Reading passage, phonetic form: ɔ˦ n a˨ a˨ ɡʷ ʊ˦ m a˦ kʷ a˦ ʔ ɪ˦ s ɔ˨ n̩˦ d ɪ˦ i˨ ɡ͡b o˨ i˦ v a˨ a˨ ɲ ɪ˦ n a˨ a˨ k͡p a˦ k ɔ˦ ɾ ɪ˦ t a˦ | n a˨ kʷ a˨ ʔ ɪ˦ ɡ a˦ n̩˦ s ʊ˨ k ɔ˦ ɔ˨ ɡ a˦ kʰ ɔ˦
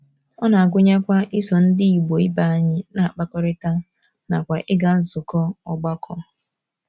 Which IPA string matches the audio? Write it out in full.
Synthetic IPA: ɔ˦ n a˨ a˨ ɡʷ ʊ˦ ɲ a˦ kʷ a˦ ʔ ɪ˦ s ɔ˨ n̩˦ d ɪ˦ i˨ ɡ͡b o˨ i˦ b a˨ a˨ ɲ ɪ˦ n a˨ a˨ k͡p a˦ k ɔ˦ ɾ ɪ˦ t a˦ | n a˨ kʷ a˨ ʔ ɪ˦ ɡ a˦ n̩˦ z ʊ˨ k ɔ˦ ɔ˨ ɡ͡b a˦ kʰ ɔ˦